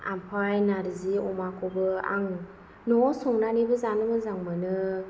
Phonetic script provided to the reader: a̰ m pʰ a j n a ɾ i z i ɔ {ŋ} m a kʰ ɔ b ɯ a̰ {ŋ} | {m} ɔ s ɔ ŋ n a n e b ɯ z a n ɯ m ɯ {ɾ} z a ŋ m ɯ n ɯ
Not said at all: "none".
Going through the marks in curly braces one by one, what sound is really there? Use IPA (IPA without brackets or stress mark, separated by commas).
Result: none, ŋ, n, none